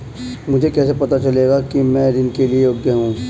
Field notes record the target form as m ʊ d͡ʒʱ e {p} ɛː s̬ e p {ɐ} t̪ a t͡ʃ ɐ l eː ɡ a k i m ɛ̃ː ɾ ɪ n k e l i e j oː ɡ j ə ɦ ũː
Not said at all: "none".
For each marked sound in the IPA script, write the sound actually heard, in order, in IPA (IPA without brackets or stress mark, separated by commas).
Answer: k, ɐ